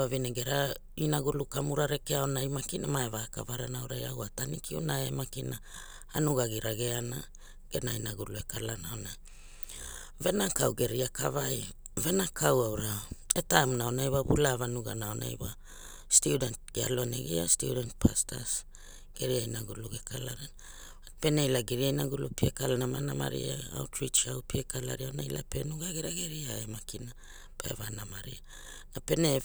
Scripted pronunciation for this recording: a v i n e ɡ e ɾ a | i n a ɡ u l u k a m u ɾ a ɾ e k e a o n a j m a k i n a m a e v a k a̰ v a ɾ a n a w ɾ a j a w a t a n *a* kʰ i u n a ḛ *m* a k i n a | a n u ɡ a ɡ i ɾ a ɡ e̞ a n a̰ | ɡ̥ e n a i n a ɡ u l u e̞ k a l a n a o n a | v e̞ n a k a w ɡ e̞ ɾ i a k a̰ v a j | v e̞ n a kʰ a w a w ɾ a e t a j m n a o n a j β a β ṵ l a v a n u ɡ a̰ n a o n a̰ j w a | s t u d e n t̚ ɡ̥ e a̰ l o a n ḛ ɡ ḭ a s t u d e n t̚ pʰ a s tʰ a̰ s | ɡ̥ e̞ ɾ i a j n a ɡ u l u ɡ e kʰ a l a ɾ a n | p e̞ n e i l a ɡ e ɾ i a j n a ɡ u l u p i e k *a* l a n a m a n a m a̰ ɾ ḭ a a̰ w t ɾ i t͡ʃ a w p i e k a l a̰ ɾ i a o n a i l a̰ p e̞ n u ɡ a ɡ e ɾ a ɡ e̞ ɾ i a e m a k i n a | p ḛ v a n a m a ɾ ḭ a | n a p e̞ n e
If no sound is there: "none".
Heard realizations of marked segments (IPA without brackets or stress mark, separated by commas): i, m, a